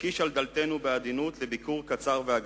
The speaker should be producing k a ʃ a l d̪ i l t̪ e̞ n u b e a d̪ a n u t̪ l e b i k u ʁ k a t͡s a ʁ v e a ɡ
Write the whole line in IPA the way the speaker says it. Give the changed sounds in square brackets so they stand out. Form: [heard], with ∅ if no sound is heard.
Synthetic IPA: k [i] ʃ a l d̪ [a] l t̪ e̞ n u b e a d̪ [i] n u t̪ l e b i k u ʁ k a t͡s a ʁ v e a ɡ

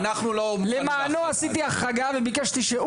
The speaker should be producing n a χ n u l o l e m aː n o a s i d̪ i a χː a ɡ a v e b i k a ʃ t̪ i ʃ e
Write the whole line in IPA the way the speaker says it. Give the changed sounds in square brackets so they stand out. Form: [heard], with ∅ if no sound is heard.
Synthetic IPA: n a χ n u l o l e m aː n o a s i [t̪] i a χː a ɡ a v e b i k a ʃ t̪ i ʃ e

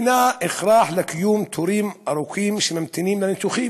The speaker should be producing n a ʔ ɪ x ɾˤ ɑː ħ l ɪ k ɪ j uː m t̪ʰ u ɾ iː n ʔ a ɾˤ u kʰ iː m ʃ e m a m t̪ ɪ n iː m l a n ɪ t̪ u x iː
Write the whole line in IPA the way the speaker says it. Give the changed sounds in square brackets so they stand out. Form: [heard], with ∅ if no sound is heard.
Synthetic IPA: n a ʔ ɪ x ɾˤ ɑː ħ l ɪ k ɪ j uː m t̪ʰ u ɾ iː [m] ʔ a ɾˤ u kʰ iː m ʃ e m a m t̪ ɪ n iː m l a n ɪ t̪ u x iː

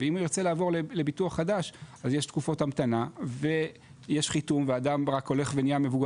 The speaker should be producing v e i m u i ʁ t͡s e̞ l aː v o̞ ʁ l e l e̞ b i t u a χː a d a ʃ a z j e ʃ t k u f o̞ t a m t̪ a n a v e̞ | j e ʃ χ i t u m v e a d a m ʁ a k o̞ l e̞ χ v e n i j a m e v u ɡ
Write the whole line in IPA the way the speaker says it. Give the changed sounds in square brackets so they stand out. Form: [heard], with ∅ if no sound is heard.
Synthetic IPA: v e i m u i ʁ t͡s e̞ l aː v o̞ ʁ l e l e̞ b i t u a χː a d a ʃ a z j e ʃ t k u f o̞ t a m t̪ a n a v e̞ | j e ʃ χ i t u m v e a d a m ʁ a k o̞ l e̞ χ v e n i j a m e v u ɡ

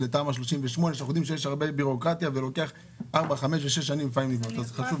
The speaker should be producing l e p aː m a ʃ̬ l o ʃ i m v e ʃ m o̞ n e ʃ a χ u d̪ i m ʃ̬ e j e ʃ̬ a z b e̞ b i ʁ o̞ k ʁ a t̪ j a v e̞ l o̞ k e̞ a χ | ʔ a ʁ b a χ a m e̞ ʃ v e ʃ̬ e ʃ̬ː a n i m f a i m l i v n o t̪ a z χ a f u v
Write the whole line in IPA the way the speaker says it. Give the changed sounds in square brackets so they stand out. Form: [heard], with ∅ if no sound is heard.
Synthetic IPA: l e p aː m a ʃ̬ l o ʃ i m v e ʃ m o̞ n e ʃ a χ u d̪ i m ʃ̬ e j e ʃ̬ a [ʁ] b e̞ b i ʁ o̞ k ʁ a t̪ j a v e̞ l o̞ k e̞ a χ | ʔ a ʁ b a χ a m e̞ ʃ v e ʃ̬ e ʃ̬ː a n i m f a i m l i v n o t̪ a z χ a [ʃ] u v

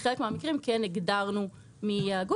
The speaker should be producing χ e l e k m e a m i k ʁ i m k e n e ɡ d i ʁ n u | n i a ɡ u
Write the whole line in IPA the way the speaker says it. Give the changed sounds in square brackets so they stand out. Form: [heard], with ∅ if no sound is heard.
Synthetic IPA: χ e l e k m e a m i k ʁ i m k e n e ɡ d [a] ʁ n u | [m] i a ɡ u

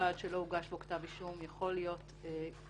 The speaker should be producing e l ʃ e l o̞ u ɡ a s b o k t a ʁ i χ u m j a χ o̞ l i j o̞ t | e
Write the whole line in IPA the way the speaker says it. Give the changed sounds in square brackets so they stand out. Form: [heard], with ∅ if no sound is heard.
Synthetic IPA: [a] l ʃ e l o̞ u ɡ a [ʃ] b o k t a [v] i [ʃ] u m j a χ o̞ l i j o̞ t | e

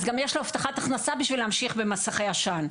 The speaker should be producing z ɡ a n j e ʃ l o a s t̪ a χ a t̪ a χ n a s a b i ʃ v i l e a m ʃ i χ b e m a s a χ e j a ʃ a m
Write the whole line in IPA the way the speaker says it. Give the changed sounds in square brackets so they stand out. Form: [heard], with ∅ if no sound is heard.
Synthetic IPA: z ɡ a [m] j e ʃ l o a [f] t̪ a χ a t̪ a χ n a s a b i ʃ v i l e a m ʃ i χ b e m a s a χ e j a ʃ a [n]

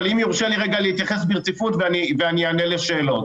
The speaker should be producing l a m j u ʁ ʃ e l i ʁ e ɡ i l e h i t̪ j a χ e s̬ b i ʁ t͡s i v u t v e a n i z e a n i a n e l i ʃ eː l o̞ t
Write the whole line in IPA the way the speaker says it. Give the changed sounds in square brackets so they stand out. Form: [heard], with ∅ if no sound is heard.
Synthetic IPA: l [i] m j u ʁ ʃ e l i ʁ e ɡ [a] l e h i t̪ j a χ e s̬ b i ʁ t͡s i [f] u t v e a n i [v] e a n i a n e l [e] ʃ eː l o̞ t

